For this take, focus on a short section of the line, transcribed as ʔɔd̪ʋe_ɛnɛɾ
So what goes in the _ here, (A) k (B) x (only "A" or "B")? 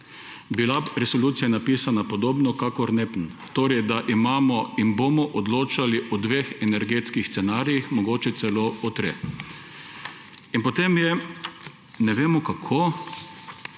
B